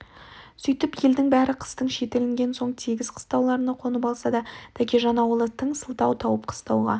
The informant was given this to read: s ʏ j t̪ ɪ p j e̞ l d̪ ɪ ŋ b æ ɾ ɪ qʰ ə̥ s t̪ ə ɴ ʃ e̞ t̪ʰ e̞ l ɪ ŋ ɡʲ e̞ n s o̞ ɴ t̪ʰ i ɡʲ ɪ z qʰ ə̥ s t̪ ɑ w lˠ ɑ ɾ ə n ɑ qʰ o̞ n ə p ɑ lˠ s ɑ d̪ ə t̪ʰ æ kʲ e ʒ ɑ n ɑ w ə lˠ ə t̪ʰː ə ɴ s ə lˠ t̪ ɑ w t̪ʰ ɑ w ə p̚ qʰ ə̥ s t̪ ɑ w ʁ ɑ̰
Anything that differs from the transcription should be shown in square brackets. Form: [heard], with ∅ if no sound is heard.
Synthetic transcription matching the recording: s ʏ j t̪ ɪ p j e̞ l d̪ ɪ ŋ b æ ɾ ɪ qʰ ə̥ s t̪ ə ɴ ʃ e̞ [t̪] e̞ l ɪ ŋ ɡʲ e̞ n s o̞ ɴ t̪ʰ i ɡʲ ɪ z qʰ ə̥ s t̪ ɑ w lˠ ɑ ɾ ə n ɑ qʰ o̞ n ə p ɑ lˠ s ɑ d̪ [ɑ] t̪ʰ æ kʲ e ʒ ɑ n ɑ w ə lˠ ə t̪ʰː ə ɴ s ə lˠ t̪ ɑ w t̪ʰ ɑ w ə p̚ qʰ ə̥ s t̪ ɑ w ʁ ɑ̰